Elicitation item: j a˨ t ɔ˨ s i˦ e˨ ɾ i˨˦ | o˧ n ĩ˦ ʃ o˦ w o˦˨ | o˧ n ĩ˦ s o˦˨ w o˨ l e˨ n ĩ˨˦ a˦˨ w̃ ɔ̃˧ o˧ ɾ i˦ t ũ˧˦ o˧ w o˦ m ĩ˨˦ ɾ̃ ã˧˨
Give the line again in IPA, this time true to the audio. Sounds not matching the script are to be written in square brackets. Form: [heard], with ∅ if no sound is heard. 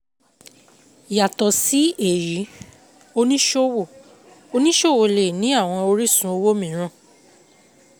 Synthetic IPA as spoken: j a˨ t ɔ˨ s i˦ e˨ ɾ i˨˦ | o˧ n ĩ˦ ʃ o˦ w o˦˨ | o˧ n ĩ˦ [ʃ] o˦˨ w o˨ l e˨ n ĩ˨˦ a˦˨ w̃ ɔ̃˧ o˧ ɾ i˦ [s] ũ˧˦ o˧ w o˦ m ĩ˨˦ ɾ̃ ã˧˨